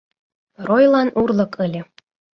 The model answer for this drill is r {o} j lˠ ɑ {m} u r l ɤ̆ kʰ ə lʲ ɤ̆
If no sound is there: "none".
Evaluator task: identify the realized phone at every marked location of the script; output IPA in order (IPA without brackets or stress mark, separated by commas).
o, n